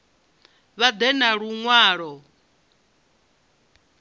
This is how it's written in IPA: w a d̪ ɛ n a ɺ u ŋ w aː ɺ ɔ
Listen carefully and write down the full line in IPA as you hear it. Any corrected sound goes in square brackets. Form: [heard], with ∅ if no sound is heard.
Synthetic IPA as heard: [β] a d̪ ɛ n a ɺ u ŋ w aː ɺ ɔ